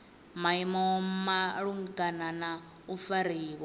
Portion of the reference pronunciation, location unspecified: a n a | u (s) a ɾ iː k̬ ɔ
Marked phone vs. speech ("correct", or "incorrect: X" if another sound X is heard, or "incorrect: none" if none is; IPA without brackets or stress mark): incorrect: f